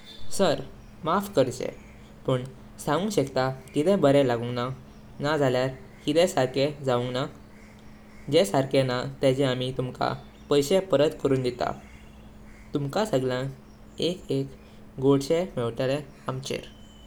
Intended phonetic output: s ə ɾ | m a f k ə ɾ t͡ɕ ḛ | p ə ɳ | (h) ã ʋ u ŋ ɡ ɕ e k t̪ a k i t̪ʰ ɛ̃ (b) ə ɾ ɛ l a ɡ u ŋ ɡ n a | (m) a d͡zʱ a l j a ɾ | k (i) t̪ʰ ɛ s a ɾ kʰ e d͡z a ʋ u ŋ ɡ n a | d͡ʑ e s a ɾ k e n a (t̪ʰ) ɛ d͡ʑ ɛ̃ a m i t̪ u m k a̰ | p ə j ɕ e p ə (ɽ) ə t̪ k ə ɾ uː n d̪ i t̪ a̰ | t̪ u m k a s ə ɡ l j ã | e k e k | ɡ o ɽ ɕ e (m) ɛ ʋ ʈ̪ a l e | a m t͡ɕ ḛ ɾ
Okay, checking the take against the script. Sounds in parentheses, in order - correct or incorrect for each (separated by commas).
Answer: incorrect, correct, incorrect, correct, incorrect, incorrect, correct